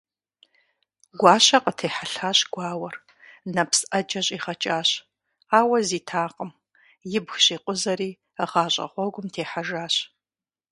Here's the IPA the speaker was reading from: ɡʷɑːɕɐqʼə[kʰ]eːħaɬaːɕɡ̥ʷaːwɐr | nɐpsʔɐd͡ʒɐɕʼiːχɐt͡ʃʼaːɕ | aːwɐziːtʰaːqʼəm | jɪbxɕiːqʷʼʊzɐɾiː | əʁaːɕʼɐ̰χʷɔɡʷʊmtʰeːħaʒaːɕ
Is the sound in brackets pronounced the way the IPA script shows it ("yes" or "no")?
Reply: no